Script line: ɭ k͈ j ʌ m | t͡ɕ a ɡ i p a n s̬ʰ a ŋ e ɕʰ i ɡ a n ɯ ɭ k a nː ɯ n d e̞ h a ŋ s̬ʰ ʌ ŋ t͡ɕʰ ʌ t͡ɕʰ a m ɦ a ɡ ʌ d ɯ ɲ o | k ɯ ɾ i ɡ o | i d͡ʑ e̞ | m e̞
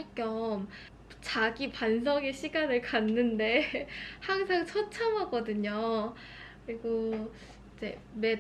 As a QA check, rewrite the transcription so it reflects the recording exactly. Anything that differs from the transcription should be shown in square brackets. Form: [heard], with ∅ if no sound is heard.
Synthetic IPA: ɭ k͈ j ʌ m | t͡ɕ a ɡ i p a n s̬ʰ [ʌ] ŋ e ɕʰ i ɡ a n ɯ ɭ k a nː ɯ n d e̞ h a ŋ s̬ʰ [a] ŋ t͡ɕʰ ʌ t͡ɕʰ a m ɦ a ɡ ʌ d ɯ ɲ o | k ɯ ɾ i ɡ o | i d͡ʑ e̞ | m e̞